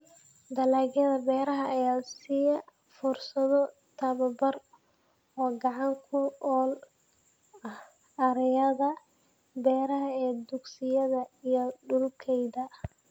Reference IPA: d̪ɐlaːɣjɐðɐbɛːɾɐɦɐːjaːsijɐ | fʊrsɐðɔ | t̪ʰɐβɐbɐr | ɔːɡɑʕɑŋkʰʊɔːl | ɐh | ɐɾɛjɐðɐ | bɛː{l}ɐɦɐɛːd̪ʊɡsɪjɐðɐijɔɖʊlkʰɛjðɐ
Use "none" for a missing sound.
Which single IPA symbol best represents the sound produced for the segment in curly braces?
ɾ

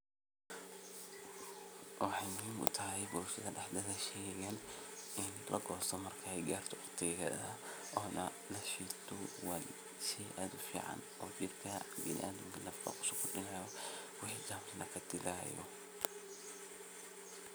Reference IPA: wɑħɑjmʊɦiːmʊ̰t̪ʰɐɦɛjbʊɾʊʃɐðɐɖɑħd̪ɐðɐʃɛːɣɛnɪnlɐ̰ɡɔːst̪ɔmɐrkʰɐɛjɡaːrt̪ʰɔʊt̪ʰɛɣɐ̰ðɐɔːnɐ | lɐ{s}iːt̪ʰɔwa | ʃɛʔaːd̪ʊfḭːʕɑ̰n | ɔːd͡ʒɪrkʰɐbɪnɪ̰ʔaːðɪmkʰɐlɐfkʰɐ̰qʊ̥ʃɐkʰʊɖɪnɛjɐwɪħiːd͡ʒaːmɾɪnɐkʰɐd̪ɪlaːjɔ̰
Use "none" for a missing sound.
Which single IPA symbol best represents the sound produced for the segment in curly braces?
ʃ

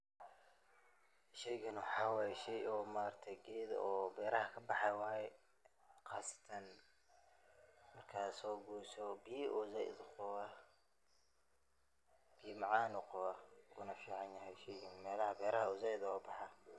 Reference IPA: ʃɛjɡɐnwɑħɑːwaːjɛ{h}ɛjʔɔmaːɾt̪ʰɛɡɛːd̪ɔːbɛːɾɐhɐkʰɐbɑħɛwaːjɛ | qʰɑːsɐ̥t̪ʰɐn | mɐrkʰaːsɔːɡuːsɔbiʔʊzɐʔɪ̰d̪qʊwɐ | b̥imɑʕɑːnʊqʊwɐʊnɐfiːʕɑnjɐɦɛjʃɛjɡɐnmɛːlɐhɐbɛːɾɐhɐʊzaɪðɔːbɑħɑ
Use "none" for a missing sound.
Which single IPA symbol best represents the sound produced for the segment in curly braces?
ʃ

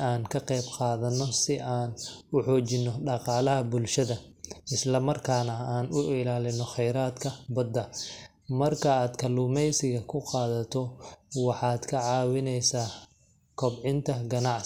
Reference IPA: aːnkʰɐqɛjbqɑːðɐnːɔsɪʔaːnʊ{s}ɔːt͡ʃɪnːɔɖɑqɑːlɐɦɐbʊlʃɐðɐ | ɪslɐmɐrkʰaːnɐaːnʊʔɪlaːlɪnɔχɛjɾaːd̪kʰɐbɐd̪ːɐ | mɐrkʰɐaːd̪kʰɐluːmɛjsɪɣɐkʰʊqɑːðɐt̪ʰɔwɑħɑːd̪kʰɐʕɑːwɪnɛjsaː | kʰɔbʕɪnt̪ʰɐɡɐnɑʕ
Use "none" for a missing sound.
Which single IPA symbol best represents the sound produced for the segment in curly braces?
ħ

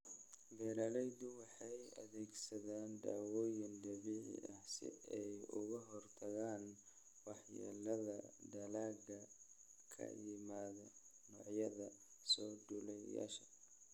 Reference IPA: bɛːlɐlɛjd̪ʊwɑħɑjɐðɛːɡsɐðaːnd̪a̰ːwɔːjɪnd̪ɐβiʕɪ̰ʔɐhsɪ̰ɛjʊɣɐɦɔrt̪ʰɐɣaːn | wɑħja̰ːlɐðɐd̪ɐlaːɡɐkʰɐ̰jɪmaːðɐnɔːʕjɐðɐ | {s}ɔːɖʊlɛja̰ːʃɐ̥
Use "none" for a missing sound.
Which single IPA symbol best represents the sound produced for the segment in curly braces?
s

